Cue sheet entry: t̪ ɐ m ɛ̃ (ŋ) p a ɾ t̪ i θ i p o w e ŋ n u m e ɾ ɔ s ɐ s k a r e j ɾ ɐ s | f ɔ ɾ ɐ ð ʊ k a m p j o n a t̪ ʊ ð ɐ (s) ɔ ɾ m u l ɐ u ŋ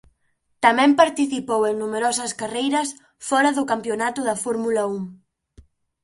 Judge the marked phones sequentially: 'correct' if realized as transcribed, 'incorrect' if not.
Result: incorrect: m, incorrect: f

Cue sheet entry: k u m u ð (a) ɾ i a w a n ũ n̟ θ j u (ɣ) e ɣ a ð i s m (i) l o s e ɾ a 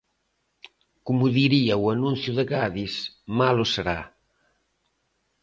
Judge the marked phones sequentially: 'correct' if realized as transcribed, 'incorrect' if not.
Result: incorrect: i, incorrect: ð, incorrect: a

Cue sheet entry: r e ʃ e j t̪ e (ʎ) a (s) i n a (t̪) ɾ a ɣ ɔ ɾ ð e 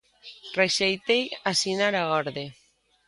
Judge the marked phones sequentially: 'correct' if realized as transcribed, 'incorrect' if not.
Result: incorrect: j, correct, incorrect: none

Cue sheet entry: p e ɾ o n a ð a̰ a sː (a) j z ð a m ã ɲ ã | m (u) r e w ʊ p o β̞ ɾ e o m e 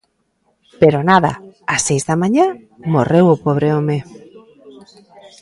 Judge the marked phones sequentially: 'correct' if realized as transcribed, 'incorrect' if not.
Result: incorrect: e, incorrect: o

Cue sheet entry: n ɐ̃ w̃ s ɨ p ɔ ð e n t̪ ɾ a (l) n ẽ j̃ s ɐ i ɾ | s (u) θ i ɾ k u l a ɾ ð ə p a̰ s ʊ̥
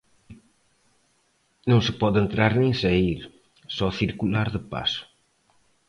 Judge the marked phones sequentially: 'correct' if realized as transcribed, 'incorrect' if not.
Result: incorrect: ɾ, incorrect: ɔ

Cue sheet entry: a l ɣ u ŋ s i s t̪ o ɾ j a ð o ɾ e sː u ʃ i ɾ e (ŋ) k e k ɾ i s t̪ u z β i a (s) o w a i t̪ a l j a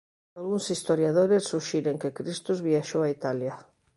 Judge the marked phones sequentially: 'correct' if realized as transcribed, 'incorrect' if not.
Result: correct, incorrect: ʃ

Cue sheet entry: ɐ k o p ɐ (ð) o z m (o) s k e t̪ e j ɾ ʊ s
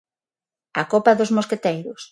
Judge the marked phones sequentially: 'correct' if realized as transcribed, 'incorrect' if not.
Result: correct, correct

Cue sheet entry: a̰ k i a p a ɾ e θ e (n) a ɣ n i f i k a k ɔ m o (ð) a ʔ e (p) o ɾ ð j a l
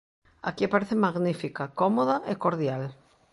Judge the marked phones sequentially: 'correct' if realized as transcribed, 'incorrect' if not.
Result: incorrect: m, correct, incorrect: k

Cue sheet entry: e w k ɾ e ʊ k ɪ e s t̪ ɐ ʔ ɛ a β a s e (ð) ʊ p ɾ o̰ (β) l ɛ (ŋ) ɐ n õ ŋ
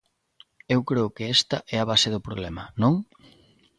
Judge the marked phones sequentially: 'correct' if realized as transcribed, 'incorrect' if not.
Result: correct, correct, incorrect: m

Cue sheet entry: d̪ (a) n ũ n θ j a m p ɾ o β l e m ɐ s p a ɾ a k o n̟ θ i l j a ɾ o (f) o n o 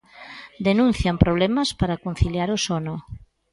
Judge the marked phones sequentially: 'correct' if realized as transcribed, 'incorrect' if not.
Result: incorrect: e, incorrect: s

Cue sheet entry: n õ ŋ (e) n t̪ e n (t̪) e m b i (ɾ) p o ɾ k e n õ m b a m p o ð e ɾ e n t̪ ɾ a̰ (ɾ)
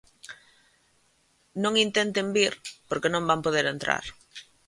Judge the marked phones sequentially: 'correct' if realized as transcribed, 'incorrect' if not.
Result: incorrect: i, correct, correct, correct

